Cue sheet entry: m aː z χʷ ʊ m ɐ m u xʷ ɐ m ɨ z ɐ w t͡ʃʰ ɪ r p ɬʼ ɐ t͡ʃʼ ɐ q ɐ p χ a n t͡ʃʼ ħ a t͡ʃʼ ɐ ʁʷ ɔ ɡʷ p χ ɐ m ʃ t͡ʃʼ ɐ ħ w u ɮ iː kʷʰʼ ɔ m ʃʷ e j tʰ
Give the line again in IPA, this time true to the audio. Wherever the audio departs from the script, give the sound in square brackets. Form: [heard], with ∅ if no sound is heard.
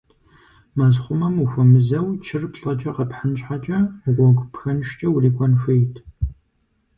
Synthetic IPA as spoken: m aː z χʷ ʊ m ɐ m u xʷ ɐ m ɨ z ɐ w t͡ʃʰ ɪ r p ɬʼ ɐ t͡ʃʼ ɐ q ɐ p [ħ] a n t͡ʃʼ ħ a t͡ʃʼ ɐ ʁʷ ɔ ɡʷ p [x] ɐ [n] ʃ t͡ʃʼ ɐ [∅] w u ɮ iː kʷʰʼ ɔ [n] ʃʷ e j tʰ